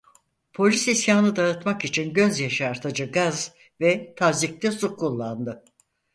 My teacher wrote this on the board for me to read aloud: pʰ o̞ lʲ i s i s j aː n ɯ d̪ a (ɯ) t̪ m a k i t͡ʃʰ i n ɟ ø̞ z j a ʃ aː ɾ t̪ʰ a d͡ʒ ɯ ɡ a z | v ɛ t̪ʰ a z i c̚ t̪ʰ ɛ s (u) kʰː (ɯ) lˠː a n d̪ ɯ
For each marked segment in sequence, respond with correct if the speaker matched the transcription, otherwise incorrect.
correct, correct, incorrect

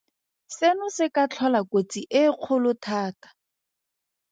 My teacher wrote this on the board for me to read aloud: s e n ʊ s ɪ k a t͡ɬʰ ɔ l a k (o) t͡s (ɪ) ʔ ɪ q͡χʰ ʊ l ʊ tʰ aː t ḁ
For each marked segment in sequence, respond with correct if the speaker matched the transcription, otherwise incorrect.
correct, incorrect

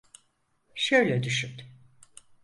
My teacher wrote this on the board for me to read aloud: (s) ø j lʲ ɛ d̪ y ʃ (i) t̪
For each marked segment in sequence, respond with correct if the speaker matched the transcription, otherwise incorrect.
incorrect, incorrect

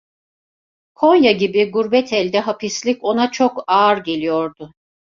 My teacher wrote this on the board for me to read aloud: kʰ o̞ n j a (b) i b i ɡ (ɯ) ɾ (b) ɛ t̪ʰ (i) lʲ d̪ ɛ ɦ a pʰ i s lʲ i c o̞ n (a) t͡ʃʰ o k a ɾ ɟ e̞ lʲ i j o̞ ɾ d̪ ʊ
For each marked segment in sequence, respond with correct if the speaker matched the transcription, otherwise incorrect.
incorrect, incorrect, correct, incorrect, correct

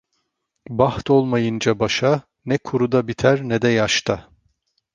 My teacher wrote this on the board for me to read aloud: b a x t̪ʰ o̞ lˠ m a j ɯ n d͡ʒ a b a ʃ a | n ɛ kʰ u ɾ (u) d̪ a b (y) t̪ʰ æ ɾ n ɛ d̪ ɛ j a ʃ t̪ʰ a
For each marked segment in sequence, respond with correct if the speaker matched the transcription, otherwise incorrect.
correct, incorrect

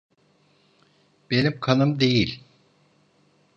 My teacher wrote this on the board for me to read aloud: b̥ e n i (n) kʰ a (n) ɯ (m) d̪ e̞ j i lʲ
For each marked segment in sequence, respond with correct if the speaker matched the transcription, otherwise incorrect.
incorrect, correct, correct

